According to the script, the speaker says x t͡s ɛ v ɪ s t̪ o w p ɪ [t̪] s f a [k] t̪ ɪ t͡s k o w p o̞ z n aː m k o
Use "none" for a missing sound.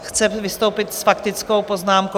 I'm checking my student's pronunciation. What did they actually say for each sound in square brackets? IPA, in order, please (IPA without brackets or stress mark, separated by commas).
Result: t̪, k